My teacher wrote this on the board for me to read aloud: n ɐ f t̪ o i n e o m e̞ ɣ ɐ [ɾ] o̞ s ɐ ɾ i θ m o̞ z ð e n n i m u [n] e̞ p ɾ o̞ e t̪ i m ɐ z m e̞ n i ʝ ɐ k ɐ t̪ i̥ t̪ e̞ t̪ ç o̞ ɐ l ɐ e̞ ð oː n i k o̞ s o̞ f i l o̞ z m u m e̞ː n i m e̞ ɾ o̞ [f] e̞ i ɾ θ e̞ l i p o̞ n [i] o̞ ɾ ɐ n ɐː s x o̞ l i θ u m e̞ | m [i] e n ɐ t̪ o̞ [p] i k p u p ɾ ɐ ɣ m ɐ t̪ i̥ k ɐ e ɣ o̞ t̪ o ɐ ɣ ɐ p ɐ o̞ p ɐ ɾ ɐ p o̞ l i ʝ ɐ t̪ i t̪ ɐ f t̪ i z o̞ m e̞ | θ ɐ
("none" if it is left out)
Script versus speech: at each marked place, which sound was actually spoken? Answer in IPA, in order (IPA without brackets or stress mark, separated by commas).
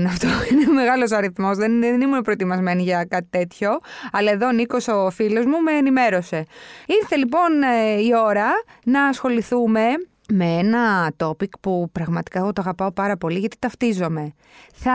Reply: l, n, s, i, e, p